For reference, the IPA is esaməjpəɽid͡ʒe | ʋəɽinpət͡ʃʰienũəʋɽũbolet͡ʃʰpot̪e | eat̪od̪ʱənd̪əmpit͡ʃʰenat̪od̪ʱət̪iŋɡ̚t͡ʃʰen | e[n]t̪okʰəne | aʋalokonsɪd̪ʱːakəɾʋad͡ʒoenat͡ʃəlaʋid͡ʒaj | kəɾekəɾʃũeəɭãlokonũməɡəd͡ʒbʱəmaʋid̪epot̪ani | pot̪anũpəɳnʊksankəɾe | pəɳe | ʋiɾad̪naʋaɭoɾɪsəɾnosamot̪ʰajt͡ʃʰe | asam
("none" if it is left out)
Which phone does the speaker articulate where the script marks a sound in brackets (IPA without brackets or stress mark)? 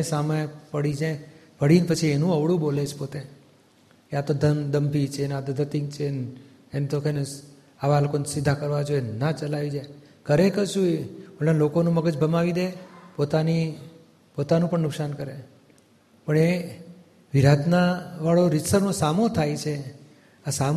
n